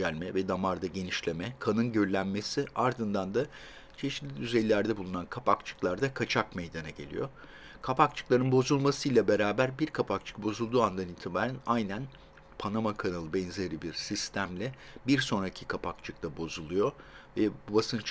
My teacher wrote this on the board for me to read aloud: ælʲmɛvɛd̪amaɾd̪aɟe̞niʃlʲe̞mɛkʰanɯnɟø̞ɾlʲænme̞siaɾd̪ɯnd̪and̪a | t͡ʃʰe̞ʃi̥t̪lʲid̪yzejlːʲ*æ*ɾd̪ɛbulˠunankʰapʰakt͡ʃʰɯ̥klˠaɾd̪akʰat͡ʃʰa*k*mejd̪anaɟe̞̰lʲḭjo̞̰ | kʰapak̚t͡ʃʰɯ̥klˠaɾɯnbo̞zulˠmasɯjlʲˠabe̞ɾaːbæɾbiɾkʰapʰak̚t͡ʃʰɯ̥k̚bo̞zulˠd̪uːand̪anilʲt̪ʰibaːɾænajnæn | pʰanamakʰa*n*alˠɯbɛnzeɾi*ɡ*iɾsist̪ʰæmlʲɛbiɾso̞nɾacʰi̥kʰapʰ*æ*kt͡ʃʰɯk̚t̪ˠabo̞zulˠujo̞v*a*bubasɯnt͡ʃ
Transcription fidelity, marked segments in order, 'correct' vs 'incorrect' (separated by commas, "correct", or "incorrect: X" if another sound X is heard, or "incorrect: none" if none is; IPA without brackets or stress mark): correct, correct, correct, incorrect: b, incorrect: a, incorrect: ɛ